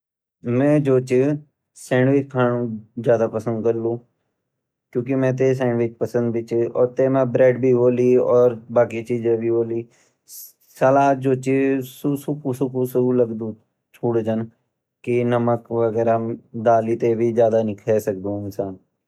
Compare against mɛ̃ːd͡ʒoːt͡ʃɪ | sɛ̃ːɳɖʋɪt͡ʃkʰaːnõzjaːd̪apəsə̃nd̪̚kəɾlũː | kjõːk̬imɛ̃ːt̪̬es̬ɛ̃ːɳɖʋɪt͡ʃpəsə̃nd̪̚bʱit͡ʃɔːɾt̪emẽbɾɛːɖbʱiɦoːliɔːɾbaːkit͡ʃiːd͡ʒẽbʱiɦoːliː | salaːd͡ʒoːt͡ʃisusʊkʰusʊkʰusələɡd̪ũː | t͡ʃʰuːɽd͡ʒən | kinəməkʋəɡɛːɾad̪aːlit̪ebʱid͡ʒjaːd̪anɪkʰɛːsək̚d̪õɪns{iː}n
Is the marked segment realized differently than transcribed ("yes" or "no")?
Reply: yes